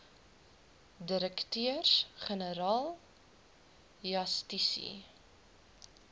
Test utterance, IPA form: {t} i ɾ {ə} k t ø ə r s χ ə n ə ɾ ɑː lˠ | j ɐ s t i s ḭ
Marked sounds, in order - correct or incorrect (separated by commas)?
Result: incorrect, correct